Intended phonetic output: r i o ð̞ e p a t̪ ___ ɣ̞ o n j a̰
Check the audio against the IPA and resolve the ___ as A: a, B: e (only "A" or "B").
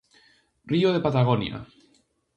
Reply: A